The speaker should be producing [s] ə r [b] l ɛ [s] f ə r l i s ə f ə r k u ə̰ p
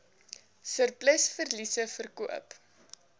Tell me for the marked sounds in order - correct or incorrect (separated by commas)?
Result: correct, incorrect, correct